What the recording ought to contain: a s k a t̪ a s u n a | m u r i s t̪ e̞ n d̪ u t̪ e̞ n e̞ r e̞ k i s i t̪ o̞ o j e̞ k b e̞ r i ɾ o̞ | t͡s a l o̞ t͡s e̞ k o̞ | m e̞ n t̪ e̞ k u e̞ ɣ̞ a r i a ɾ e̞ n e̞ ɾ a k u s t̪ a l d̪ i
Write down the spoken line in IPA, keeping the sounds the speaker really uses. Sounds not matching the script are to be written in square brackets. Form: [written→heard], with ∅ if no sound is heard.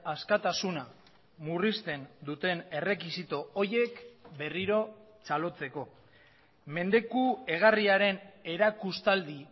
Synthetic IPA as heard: a s k a t̪ a s u n a | m u r i s t̪ e̞ n d̪ u t̪ e̞ n e̞ r e̞ k i s i t̪ o̞ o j e̞ k b e̞ r i ɾ o̞ | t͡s a l o̞ t͡s e̞ k o̞ | m e̞ n [t̪→d̪] e̞ k u e̞ ɣ̞ a r i a ɾ e̞ n e̞ ɾ a k u s t̪ a l d̪ i